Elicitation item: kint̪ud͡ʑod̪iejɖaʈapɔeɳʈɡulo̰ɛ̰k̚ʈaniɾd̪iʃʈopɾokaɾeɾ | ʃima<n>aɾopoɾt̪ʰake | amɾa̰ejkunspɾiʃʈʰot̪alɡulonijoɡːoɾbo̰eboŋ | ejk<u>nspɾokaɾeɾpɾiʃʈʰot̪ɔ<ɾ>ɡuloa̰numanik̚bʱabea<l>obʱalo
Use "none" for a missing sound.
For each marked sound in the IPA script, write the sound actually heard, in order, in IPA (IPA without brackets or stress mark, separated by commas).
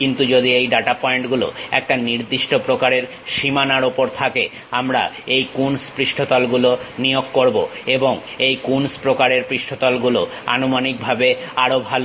n, u, l, ɾ